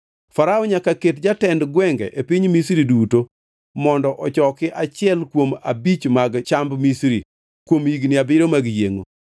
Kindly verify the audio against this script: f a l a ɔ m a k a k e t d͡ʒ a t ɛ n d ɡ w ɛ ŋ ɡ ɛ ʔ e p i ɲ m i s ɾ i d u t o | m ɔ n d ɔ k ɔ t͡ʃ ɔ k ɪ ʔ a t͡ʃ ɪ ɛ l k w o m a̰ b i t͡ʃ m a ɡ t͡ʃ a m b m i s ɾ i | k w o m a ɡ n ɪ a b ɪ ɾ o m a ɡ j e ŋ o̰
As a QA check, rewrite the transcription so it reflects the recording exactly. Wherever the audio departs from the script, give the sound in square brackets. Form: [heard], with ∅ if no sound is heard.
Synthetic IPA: f a [ɾ] a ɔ [ɲ] a k a k e t d͡ʒ a t ɛ n d ɡ w ɛ ŋ ɡ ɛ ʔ e p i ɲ m i s ɾ i d u t o | m ɔ n d ɔ [ʔ] ɔ t͡ʃ ɔ k ɪ ʔ a t͡ʃ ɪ ɛ l k w o m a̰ b i t͡ʃ m a ɡ t͡ʃ a m b m i s ɾ i | k w o m [i] ɡ n ɪ a b ɪ ɾ o m a ɡ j e ŋ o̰